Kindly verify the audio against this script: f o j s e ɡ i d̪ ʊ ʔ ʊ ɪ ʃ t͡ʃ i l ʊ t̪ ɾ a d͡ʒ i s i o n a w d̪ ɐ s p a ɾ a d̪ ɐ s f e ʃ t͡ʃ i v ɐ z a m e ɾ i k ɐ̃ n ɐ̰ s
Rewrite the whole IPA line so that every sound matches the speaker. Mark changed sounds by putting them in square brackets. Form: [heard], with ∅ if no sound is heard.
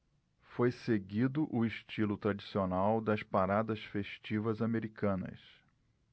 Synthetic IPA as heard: f o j s e ɡ i d̪ ʊ ʔ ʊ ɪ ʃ t͡ʃ i l ʊ t̪ ɾ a d͡ʒ i s i o n a w d̪ ɐ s p a ɾ a d̪ ɐ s f e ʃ t͡ʃ i v ɐ z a m e ɾ i k ɐ̃ n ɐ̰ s

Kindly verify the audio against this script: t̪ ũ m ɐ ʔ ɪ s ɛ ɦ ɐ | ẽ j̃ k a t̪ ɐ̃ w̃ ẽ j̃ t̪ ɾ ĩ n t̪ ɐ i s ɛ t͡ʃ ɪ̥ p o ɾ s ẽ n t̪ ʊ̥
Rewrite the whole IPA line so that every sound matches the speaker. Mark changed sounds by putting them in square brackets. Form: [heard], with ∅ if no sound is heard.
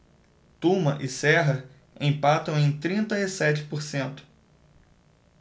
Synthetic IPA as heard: t̪ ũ m ɐ ʔ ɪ s ɛ ɦ ɐ | ẽ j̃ [p] a t̪ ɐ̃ w̃ ẽ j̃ t̪ ɾ ĩ n t̪ ɐ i s ɛ t͡ʃ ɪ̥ p o ɾ s ẽ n t̪ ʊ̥

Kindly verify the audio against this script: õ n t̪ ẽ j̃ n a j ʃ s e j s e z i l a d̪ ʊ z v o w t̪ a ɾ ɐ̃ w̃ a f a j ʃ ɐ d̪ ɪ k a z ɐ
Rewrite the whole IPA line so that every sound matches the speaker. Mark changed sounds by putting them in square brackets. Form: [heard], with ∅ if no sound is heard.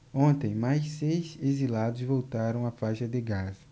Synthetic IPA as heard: õ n t̪ ẽ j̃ [m] a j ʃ s e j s e z i l a d̪ ʊ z v o w t̪ a ɾ ɐ̃ w̃ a f a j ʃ ɐ d̪ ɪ [ɡ] a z ɐ

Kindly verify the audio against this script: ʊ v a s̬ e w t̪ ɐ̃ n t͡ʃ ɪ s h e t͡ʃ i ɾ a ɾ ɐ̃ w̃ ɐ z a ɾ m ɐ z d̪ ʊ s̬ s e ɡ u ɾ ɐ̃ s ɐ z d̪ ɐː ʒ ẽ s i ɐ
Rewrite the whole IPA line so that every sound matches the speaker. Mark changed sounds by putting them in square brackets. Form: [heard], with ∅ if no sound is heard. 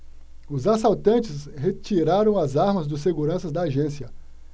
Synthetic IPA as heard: ʊ [z] a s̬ [a] w t̪ ɐ̃ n t͡ʃ ɪ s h e t͡ʃ i ɾ a ɾ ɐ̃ w̃ ɐ z a ɾ m ɐ z d̪ ʊ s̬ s e ɡ u ɾ ɐ̃ s ɐ z d̪ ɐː ʒ ẽ s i ɐ

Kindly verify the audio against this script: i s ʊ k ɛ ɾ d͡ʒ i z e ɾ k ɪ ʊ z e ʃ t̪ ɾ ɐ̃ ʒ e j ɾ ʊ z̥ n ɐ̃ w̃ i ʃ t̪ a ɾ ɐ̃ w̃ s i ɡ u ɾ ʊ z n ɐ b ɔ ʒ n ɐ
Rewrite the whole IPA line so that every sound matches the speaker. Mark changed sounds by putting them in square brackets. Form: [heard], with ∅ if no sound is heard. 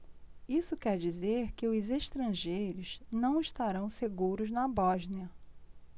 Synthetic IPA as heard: i s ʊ k ɛ ɾ d͡ʒ i z e ɾ k ɪ ʊ z e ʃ t̪ ɾ ɐ̃ ʒ e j ɾ ʊ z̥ n ɐ̃ w̃ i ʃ t̪ a ɾ ɐ̃ w̃ s [e] ɡ u ɾ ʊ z n ɐ b ɔ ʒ n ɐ

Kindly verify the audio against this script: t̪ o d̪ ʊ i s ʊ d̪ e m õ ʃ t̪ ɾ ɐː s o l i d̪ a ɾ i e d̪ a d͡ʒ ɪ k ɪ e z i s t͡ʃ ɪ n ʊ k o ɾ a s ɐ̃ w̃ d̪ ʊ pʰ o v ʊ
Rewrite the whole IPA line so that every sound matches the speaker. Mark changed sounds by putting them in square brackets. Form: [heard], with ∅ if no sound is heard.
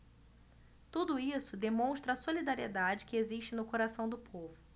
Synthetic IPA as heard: t̪ [u] d̪ ʊ i s ʊ d̪ e m õ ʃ t̪ ɾ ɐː s o l i d̪ a ɾ i e d̪ a d͡ʒ ɪ k ɪ e z i [ʃ] t͡ʃ ɪ n ʊ k o ɾ a s ɐ̃ w̃ d̪ ʊ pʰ o v ʊ

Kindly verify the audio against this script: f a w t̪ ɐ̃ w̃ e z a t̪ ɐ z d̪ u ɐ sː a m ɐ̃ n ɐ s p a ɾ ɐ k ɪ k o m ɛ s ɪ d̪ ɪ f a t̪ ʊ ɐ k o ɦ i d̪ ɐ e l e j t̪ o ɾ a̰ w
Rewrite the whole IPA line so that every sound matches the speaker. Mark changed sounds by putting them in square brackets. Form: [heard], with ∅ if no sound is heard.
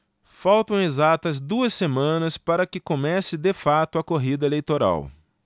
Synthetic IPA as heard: f a w t̪ ɐ̃ w̃ e z a t̪ ɐ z d̪ u ɐ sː [e] m ɐ̃ n ɐ s p a ɾ ɐ k ɪ k o m ɛ s ɪ d̪ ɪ f a t̪ ʊ ɐ k o ɦ i d̪ ɐ e l e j t̪ o ɾ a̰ w

